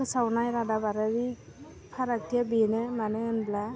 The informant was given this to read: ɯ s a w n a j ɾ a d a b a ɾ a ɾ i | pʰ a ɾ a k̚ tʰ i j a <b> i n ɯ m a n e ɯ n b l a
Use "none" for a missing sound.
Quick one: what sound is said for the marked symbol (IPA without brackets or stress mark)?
b